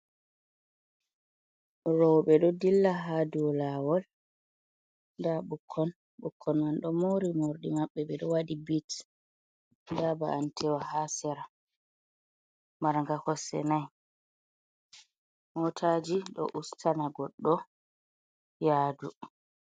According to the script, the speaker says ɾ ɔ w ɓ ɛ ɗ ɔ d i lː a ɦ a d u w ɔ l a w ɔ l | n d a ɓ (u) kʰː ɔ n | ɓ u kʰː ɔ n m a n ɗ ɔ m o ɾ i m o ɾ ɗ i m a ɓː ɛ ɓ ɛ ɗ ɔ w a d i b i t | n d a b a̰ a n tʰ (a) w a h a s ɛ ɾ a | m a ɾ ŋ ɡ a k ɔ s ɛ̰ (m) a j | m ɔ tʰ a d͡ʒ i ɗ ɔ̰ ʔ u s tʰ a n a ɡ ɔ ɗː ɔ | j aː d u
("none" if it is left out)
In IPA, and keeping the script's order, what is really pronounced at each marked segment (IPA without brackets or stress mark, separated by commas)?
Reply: u, ɛ, n